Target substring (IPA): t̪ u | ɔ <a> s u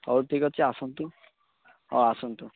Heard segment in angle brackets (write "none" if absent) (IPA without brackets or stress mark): a